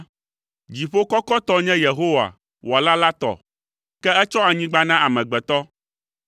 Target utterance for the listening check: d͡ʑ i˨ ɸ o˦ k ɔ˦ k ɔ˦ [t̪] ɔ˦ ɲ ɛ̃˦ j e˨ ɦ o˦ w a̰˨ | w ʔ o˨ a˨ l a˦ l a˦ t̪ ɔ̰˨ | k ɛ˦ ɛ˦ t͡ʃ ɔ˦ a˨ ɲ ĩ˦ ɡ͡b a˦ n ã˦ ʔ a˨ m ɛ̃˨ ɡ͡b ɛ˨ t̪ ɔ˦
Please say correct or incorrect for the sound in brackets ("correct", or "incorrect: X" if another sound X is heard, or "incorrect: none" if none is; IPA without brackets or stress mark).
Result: correct